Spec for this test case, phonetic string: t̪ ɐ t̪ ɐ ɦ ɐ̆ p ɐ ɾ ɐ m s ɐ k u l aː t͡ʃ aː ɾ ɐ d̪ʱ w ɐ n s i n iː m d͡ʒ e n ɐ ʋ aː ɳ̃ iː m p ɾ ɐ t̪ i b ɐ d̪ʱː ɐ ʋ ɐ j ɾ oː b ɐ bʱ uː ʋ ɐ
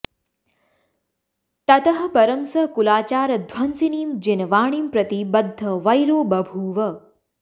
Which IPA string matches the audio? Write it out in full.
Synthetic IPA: t̪ ɐ t̪ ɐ ɦ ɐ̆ p ɐ ɾ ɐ m s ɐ k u l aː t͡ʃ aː ɾ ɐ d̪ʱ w ɐ n s i n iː m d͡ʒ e n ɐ ʋ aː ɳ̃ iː m p ɾ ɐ t̪ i b ɐ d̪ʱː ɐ ʋ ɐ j ɾ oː b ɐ bʱ uː ʋ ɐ